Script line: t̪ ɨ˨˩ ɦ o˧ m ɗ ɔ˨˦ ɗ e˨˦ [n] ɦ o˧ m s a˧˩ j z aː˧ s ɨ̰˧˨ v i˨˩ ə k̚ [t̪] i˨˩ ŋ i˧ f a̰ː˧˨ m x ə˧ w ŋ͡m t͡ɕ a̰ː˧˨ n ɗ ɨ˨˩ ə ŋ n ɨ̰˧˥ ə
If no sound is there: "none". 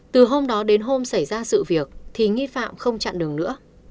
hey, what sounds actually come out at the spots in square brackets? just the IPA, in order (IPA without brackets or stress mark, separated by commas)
n, t̪ʰ